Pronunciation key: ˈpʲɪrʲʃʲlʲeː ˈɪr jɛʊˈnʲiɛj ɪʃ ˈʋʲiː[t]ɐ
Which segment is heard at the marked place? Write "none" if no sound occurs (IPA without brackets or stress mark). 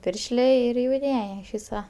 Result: s